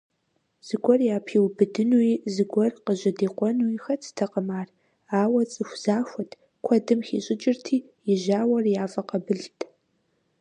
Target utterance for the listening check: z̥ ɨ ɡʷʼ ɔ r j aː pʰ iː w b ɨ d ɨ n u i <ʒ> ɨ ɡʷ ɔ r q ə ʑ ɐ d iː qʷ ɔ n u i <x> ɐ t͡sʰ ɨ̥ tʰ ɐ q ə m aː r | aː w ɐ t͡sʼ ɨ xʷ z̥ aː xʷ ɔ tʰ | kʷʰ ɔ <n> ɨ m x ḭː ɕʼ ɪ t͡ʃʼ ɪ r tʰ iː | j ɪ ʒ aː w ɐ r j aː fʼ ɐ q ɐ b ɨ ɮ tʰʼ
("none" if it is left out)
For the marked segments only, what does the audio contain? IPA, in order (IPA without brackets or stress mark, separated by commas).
z, x, d